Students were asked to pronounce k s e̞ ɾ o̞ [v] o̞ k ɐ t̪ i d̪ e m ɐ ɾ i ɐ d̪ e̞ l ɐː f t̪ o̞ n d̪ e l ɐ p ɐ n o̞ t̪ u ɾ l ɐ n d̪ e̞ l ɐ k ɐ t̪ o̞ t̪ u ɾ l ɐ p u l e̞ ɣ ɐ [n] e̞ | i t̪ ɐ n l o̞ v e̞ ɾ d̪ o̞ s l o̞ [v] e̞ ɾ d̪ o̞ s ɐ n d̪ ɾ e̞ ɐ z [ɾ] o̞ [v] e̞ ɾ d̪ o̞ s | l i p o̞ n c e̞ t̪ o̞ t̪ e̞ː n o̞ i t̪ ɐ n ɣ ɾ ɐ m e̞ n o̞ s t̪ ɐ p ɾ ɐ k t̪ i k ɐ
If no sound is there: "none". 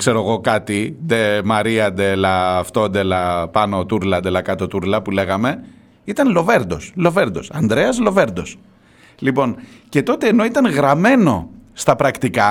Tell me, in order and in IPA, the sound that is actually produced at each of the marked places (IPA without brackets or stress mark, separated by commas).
ɣ, m, v, l, v